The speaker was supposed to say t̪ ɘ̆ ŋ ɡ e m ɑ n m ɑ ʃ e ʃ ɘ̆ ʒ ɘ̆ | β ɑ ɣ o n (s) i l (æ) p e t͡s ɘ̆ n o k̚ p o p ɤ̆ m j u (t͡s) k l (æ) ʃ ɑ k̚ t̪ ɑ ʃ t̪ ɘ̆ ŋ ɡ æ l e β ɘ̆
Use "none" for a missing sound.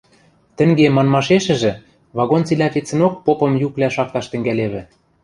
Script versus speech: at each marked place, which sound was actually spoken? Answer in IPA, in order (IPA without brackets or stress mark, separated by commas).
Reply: t͡s, æ, none, æ